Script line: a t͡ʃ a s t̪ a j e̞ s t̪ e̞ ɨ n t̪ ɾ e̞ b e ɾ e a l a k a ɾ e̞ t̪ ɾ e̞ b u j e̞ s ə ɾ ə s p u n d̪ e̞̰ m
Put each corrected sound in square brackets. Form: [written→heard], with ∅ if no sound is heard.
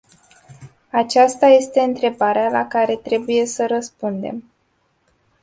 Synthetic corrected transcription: a t͡ʃ a s t̪ a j e̞ s t̪ e̞ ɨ n t̪ ɾ e̞ b [e→a] ɾ e a l a k a ɾ e̞ t̪ ɾ e̞ b u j e̞ s ə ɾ ə s p u n d̪ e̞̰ m